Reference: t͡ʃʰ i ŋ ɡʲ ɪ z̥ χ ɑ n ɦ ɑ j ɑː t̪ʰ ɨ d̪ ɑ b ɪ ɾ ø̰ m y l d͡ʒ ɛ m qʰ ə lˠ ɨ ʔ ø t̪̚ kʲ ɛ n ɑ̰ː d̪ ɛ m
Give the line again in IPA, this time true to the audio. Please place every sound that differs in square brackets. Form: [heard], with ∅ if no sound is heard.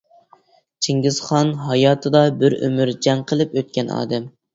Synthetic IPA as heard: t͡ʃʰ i ŋ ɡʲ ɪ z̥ χ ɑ n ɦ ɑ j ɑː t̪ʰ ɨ d̪ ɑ b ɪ ɾ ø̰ m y [ɾ] d͡ʒ ɛ [ŋ] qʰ ə lˠ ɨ [p] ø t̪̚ kʲ ɛ n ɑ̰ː d̪ ɛ m

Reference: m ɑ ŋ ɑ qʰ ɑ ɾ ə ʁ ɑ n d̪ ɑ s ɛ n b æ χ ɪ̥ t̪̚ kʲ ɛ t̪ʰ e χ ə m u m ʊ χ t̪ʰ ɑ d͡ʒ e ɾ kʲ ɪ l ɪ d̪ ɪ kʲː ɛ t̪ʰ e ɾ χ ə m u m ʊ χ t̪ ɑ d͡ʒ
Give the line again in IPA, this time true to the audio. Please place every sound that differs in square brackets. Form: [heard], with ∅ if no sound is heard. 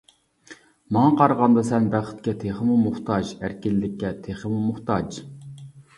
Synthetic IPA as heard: m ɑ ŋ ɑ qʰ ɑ ɾ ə ʁ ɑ n d̪ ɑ s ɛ n b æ χ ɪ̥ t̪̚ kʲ ɛ t̪ʰ e χ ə m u m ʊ χ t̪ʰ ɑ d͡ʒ [æ] ɾ kʲ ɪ l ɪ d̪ ɪ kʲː ɛ t̪ʰ e [∅] χ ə m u m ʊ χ t̪ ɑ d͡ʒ

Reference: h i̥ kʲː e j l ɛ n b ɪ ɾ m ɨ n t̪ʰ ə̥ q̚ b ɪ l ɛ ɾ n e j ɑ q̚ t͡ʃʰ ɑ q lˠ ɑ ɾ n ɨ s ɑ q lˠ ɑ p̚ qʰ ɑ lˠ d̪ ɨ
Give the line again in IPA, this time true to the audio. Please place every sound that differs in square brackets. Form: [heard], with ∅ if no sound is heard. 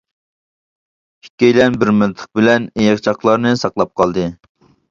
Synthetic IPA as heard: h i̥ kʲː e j l ɛ n b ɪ ɾ m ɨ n t̪ʰ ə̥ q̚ b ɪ l ɛ [∅] n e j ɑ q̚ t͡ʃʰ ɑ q lˠ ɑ ɾ n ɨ s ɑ q lˠ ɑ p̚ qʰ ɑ lˠ d̪ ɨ

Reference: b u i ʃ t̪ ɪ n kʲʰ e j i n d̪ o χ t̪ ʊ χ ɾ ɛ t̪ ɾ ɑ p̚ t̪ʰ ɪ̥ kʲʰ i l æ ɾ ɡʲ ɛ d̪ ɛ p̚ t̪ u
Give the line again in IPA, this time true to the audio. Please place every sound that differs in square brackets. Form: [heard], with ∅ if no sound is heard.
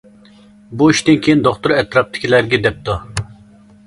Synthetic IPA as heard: b u i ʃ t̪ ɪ n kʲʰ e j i n d̪ o χ t̪ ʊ [∅] ɾ ɛ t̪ ɾ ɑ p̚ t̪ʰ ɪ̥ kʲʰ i l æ ɾ ɡʲ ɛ d̪ ɛ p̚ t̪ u

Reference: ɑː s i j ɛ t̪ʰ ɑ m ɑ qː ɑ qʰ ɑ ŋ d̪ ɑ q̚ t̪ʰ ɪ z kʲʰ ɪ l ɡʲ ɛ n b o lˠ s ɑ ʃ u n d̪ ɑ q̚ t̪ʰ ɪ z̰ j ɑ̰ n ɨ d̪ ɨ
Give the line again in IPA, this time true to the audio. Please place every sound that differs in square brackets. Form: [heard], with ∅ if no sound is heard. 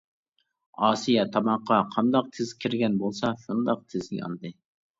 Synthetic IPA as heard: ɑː s i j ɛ t̪ʰ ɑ m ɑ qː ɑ qʰ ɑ [n] d̪ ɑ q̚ t̪ʰ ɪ z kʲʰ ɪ [ɾ] ɡʲ ɛ n b o lˠ s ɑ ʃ u n d̪ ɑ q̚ t̪ʰ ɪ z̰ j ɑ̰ n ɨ d̪ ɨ

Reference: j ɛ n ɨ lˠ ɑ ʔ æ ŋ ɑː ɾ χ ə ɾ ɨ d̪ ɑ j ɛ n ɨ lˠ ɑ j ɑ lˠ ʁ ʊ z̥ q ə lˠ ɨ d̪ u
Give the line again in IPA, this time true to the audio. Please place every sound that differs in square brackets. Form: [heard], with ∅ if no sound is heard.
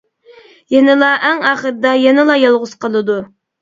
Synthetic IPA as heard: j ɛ n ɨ lˠ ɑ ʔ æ ŋ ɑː [∅] χ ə ɾ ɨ d̪ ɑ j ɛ n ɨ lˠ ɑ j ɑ lˠ ʁ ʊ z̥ q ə lˠ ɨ d̪ u

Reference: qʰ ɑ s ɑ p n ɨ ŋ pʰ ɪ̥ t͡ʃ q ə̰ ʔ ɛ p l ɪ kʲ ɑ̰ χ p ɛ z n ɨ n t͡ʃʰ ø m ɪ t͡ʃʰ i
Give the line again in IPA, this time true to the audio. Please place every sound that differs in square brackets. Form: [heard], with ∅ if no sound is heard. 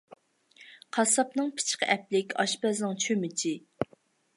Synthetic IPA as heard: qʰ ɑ s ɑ p n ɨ ŋ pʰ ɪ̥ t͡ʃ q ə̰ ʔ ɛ p l ɪ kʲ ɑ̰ [ʃ] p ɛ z n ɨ [ŋ] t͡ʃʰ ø m ɪ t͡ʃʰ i

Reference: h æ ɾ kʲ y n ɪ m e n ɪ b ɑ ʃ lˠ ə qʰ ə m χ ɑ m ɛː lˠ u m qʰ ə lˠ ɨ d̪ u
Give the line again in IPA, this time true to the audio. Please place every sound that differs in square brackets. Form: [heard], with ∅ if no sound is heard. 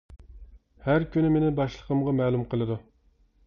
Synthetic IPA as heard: h æ ɾ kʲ y n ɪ m e n ɪ b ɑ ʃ lˠ ə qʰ ə m [ʁ] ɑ m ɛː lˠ u m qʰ ə lˠ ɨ d̪ u

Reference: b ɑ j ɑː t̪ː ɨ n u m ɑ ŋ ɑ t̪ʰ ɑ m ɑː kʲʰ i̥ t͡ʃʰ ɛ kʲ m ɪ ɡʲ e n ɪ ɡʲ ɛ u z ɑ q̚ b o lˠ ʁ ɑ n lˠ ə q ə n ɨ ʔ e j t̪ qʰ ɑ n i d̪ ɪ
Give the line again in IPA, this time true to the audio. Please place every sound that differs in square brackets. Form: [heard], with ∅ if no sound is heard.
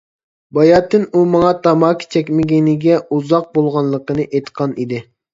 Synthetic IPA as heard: b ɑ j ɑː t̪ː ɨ n u m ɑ ŋ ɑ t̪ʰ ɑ m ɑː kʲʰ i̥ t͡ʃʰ ɛ kʲ m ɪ ɡʲ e n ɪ ɡʲ ɛ u z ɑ q̚ b o lˠ ʁ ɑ n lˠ ə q ə n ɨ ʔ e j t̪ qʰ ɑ n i d̪ ɪ

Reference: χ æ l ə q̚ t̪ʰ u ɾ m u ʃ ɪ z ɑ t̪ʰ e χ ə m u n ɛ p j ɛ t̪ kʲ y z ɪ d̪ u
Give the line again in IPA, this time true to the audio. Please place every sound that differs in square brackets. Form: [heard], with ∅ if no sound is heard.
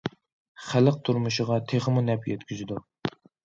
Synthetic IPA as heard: χ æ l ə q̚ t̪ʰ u ɾ m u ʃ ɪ [ʁ] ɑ t̪ʰ e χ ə m u n ɛ p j ɛ t̪ kʲ y z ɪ d̪ u

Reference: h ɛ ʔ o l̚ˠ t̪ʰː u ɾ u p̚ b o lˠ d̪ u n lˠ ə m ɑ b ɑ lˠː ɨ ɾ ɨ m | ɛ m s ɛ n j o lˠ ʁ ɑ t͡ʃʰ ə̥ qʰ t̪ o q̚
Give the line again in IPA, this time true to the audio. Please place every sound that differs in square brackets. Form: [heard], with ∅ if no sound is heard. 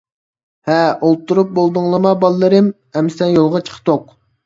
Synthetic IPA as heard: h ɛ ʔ o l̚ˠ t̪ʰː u ɾ u p̚ b o lˠ d̪ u [ŋ] lˠ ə m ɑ b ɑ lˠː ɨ ɾ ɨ m | ɛ m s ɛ n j o lˠ ʁ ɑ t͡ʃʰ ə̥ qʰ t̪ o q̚

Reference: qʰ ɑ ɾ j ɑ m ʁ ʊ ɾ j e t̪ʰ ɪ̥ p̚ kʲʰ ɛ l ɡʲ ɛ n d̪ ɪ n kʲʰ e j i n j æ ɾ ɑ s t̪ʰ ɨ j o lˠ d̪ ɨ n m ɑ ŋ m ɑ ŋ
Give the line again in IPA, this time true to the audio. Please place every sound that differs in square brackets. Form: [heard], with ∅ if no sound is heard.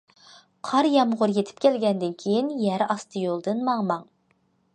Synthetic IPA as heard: qʰ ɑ ɾ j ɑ m ʁ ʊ ɾ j e t̪ʰ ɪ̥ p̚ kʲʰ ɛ l ɡʲ ɛ n d̪ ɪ n kʲʰ e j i n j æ ɾ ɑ s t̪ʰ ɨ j o lˠ d̪ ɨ n m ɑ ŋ m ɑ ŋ

